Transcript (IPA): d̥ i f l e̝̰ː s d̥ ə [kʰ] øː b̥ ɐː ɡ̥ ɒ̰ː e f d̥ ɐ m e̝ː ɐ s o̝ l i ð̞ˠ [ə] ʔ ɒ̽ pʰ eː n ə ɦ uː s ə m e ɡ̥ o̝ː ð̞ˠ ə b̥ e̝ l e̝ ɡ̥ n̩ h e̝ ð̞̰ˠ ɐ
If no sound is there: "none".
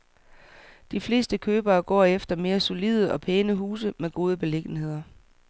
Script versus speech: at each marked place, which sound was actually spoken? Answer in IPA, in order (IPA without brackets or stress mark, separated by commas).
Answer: kʰ, ə